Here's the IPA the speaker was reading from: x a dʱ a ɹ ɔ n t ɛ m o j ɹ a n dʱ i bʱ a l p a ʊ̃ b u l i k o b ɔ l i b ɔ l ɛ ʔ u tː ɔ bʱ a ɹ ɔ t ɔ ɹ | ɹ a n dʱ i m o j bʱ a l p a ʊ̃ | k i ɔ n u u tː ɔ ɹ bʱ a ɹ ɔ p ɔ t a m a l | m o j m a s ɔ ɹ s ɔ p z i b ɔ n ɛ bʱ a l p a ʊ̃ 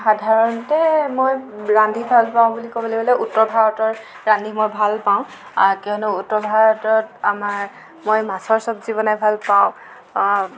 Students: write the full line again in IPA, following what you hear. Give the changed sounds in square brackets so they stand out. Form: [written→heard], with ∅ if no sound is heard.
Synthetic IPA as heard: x a dʱ a ɹ ɔ n t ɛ m o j ɹ a n dʱ i bʱ a l p a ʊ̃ b u l i k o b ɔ l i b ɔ l ɛ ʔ u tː ɔ bʱ a ɹ ɔ t ɔ ɹ | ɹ a n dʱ i m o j bʱ a l p a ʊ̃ | k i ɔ n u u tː ɔ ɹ bʱ a ɹ ɔ [p→t] ɔ t a m a [l→ɹ] | m o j m a s ɔ ɹ s ɔ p z i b ɔ n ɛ bʱ a l p a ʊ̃

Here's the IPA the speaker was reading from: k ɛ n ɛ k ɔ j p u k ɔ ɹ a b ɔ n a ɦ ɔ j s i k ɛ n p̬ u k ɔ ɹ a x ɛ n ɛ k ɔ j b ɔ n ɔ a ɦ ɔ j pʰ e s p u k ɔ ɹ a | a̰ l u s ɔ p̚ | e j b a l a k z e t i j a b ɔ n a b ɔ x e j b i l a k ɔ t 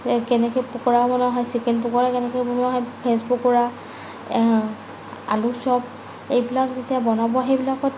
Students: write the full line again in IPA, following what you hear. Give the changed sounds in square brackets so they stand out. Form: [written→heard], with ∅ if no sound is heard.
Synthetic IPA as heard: k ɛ n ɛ k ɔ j p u k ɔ ɹ a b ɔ n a ɦ ɔ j s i k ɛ n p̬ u k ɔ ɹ a [x→k] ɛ n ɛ k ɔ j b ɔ n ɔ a ɦ ɔ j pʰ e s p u k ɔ ɹ a | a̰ l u s ɔ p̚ | e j b [a→i] l a k z e t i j a b ɔ n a b ɔ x e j b i l a k ɔ t

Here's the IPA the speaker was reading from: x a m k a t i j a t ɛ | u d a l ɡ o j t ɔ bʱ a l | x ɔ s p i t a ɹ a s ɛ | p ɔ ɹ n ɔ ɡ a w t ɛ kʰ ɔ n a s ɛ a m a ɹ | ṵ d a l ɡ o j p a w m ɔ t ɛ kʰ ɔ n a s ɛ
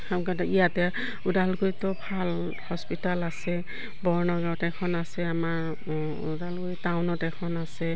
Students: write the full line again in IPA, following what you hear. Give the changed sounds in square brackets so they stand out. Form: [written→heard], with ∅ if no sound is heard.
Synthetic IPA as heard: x a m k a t i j a t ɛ | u d a l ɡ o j t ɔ bʱ a l | [x→h] ɔ s p i t a [ɹ→l] a s ɛ | [p→b] ɔ ɹ n ɔ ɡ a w t ɛ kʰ ɔ n a s ɛ a m a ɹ | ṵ d a l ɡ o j [p→t] a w [m→n] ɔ t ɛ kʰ ɔ n a s ɛ

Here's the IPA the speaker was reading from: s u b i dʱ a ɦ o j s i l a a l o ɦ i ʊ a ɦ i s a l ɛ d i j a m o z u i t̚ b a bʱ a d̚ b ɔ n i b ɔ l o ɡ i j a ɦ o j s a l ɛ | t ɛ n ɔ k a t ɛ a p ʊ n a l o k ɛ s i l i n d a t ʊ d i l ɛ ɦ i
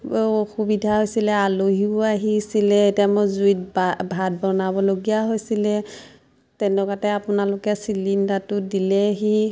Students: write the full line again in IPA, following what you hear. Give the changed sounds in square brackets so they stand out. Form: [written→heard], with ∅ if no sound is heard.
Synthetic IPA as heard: [s→x] u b i dʱ a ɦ o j s i l [a→ɛ] a l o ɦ i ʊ a ɦ i s [a→i] l ɛ [d→t] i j a m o z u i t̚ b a bʱ a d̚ b ɔ n [i→a] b ɔ l o ɡ i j a ɦ o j s [a→i] l ɛ | t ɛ n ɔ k a t ɛ a p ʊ n a l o k ɛ s i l i n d a t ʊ d i l ɛ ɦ i

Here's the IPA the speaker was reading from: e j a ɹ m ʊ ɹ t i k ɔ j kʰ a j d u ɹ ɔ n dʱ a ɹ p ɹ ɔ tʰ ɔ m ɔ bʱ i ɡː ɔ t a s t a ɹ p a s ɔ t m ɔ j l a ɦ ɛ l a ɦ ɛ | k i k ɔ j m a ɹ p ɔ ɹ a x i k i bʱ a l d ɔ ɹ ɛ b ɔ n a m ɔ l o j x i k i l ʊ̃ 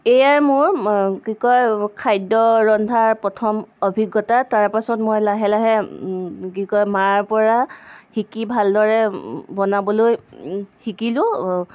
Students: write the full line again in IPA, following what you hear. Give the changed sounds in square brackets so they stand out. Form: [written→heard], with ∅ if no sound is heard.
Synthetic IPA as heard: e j a ɹ m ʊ ɹ [t→k] i k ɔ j kʰ a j d [u→ɔ] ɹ ɔ n dʱ a ɹ p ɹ ɔ tʰ ɔ m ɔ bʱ i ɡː ɔ t a [s→∅] t a ɹ p a s ɔ t m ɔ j l a ɦ ɛ l a ɦ ɛ | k i k ɔ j m a ɹ p ɔ ɹ a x i k i bʱ a l d ɔ ɹ ɛ b ɔ n a [m→b] ɔ l o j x i k i l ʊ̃

